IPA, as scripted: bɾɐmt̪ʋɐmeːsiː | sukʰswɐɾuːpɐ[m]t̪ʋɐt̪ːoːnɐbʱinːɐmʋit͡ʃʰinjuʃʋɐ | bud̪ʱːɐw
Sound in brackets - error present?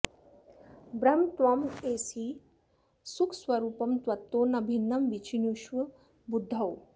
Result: no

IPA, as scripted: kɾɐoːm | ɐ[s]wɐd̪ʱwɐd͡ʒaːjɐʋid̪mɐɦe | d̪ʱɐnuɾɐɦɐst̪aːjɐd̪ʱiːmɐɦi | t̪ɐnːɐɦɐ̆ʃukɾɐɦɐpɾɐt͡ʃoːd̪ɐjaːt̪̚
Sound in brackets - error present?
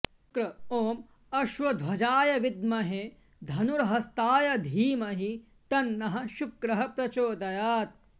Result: yes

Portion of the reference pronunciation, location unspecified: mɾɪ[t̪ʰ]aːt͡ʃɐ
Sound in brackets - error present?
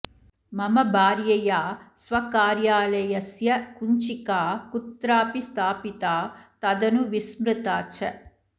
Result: yes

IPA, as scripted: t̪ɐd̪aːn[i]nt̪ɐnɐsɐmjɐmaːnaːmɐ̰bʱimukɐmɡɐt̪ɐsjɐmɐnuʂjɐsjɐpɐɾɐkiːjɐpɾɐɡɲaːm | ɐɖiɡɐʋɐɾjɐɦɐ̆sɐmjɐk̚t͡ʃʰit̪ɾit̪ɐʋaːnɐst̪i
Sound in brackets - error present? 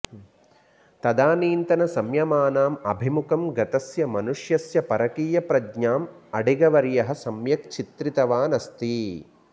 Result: yes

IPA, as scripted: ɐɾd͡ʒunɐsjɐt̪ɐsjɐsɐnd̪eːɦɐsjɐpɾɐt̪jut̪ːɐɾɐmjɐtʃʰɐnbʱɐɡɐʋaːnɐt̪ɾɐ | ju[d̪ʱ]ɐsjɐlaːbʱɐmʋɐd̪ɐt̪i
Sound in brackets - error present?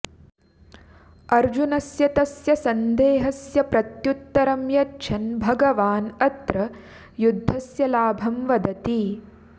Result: yes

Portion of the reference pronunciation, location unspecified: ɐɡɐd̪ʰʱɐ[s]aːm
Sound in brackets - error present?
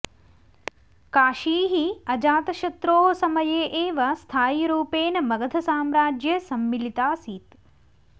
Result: no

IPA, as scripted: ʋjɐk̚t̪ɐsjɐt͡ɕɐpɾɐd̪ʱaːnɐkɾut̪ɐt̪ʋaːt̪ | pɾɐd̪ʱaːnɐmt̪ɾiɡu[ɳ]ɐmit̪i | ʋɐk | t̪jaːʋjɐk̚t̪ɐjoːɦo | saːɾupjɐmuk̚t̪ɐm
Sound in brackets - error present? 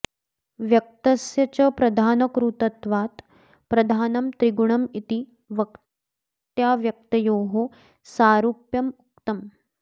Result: no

